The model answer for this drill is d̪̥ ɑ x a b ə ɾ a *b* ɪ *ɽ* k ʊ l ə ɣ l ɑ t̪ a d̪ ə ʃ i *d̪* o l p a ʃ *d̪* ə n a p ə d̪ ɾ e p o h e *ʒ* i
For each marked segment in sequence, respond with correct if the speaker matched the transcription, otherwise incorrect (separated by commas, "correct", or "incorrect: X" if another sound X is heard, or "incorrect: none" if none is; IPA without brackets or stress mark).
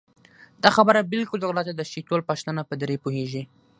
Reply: correct, incorrect: l, incorrect: t̪, incorrect: t̪, correct